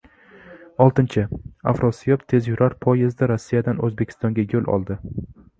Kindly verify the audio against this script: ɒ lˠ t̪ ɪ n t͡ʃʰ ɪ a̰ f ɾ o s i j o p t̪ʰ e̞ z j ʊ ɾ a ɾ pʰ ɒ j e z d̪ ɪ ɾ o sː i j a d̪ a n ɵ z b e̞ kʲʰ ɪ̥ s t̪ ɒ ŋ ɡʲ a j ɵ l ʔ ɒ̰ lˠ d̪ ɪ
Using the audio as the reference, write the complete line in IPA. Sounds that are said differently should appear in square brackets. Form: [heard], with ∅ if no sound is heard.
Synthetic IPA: ɒ lˠ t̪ ɪ n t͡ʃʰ ɪ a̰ f ɾ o s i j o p t̪ʰ e̞ z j ʊ ɾ a ɾ pʰ ɒ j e z d̪ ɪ ɾ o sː i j a d̪ a n ɵ z b e̞ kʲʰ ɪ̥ s t̪ ɒ ŋ ɡʲ a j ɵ l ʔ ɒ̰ lˠ d̪ ɪ